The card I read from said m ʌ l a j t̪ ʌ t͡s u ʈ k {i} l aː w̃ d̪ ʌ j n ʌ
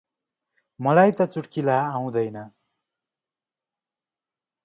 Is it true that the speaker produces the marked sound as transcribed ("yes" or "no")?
yes